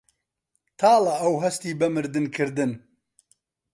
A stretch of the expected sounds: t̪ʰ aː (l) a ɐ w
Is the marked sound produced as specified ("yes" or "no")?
yes